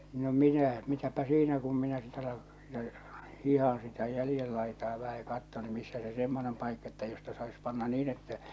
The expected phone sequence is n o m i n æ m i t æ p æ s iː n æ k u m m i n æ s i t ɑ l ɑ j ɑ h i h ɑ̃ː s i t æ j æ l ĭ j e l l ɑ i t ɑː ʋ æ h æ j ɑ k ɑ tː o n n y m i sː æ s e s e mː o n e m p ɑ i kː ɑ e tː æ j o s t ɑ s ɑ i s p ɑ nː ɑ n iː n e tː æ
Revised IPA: n o m i n æ m i t æ p æ s iː n æ k u m m i n æ s i t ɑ l ɑ j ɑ h i h ɑ̃ː s i t æ j æ l ĭ j e l l ɑ i t ɑː ʋ æ h æ j ɑ k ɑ tː o n n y m i sː æ s e s e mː o n e m p ɑ i kː ɑ e tː æ j o s t ɑ s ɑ i s p ɑ nː ɑ n iː n e tː æ